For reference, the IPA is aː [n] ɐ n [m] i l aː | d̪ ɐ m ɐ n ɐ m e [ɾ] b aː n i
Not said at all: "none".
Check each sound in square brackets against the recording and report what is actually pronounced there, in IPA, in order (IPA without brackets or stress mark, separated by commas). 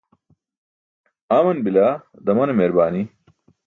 m, b, ɾ